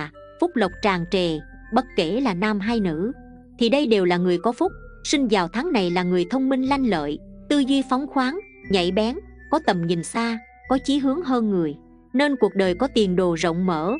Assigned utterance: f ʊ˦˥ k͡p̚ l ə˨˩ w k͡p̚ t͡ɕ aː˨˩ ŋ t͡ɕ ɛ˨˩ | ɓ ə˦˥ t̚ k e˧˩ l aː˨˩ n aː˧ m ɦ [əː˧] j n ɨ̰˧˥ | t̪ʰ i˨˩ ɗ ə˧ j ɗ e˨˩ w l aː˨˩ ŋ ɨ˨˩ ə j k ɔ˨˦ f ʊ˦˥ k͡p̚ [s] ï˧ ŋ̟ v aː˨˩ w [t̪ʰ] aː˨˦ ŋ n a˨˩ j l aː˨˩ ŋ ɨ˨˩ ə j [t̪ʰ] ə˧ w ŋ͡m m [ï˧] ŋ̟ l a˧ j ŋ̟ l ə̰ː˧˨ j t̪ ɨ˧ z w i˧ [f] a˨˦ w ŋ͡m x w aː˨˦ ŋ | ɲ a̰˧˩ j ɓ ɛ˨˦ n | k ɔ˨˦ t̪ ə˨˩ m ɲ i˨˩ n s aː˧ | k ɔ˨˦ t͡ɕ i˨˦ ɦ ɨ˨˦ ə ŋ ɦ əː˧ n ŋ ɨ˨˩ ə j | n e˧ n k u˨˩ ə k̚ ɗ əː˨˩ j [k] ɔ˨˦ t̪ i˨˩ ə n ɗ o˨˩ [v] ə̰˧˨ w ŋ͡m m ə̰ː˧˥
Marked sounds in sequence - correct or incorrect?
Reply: incorrect: aː˧, correct, correct, correct, correct, correct, correct, incorrect: z

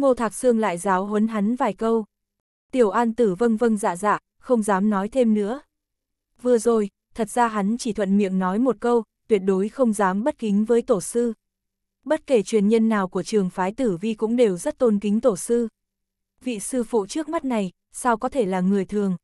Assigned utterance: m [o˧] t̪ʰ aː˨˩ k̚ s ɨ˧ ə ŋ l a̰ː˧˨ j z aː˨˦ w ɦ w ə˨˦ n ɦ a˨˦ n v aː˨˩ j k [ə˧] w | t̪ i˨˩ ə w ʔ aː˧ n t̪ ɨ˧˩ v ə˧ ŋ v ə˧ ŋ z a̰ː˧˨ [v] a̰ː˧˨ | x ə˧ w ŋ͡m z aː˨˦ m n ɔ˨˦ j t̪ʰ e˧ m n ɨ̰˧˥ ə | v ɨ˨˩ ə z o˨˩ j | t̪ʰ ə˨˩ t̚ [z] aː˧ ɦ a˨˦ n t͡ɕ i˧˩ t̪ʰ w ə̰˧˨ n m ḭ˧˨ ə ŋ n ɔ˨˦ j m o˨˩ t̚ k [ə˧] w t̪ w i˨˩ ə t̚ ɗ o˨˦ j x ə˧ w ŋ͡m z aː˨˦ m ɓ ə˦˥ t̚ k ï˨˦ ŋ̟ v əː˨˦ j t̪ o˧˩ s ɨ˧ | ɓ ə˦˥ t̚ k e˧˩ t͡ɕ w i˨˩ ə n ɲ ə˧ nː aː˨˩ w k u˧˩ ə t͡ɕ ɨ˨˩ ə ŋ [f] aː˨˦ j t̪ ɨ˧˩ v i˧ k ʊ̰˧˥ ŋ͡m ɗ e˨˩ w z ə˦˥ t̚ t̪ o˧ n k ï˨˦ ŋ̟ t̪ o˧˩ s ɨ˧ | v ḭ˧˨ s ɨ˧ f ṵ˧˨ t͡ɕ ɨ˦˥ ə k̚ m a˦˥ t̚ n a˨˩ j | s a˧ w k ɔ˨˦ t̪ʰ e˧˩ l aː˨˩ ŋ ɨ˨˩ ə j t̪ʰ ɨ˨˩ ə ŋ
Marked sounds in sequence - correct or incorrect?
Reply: correct, correct, incorrect: z, correct, correct, correct

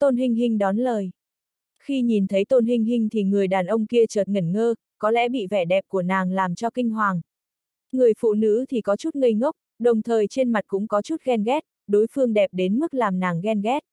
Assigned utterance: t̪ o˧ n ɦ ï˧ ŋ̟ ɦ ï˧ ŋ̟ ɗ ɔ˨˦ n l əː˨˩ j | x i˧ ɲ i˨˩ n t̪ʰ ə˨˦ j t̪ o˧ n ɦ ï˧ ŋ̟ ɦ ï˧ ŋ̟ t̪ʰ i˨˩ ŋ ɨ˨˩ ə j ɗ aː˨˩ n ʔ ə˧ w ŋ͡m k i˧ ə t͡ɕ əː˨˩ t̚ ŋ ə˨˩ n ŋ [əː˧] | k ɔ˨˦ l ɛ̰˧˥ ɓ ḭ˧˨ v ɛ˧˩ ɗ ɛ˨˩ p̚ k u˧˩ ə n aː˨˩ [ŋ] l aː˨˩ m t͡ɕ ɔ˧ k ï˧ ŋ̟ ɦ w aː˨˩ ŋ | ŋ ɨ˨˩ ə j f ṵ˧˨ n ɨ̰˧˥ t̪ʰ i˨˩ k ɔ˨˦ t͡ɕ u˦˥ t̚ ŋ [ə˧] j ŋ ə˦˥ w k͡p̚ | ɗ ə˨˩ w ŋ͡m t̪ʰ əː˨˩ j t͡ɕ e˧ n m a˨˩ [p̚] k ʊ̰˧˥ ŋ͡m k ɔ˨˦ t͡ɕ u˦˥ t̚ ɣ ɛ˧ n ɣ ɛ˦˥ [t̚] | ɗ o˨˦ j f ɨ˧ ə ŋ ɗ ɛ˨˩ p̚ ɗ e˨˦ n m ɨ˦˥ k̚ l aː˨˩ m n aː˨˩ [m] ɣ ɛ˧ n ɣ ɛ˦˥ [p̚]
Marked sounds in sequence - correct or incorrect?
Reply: correct, correct, correct, incorrect: t̚, correct, incorrect: ŋ, incorrect: t̚

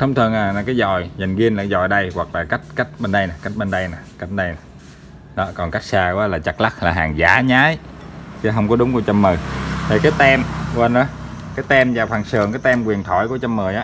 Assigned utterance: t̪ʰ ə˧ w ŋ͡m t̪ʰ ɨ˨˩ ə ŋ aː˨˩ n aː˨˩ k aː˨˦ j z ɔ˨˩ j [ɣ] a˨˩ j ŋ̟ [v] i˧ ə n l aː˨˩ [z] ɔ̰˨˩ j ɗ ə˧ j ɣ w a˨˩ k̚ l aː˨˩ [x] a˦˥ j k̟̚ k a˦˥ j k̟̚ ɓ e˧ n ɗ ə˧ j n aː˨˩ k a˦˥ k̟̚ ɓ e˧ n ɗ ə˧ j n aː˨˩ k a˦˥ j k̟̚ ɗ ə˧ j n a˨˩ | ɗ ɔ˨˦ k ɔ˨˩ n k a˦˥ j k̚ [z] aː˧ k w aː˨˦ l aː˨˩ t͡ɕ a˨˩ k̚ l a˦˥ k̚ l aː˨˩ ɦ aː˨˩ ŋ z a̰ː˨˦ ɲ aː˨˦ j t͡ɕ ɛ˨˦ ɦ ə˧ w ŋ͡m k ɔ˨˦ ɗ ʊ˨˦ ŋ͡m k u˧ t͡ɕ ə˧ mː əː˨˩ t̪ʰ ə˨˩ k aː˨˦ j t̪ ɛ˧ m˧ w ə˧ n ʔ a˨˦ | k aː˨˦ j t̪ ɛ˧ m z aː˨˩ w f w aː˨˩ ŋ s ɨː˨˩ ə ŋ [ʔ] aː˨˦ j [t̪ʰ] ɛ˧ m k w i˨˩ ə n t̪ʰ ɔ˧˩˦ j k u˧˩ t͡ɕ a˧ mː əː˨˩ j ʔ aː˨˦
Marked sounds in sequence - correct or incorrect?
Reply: incorrect: z, incorrect: ɣ, correct, incorrect: k, incorrect: s, incorrect: k, incorrect: t̪

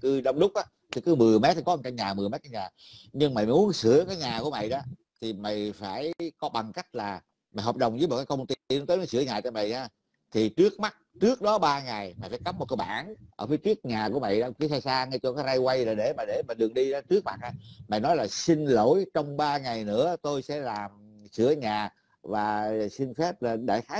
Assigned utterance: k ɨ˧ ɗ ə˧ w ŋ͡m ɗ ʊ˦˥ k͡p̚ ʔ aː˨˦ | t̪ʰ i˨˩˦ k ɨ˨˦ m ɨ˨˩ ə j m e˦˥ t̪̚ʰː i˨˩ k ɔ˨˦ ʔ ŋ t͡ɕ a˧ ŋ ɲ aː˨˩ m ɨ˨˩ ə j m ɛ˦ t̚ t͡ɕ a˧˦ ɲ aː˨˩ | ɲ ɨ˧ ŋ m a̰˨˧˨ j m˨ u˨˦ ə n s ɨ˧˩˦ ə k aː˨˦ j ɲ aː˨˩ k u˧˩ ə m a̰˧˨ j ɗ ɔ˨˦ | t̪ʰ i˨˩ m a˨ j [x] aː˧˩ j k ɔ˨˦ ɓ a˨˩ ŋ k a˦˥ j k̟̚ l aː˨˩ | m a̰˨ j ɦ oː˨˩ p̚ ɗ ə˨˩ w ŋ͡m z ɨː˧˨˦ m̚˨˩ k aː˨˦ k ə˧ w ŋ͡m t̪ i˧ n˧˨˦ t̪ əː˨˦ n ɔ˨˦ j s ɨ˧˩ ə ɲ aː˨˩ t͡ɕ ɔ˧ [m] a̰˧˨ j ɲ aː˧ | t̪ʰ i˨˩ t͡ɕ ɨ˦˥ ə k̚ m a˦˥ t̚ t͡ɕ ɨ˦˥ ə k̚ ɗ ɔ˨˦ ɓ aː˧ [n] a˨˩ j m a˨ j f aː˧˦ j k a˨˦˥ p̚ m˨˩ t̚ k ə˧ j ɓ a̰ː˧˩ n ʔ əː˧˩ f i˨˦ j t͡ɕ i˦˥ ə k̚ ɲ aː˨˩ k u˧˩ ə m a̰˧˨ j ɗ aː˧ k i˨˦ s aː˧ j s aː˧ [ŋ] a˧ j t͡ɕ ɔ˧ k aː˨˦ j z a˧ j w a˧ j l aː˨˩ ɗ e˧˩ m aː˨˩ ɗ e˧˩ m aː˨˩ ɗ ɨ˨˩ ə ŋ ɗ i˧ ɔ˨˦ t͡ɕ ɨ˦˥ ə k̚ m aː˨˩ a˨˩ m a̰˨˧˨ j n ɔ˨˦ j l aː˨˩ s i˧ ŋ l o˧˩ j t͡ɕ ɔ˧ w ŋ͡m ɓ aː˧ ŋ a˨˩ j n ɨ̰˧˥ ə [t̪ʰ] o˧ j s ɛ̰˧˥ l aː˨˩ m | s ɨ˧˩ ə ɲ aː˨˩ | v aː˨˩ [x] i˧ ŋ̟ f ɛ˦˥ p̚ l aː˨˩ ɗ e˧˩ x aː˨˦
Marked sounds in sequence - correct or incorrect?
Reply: incorrect: f, correct, incorrect: ŋ, correct, incorrect: t̪, incorrect: s

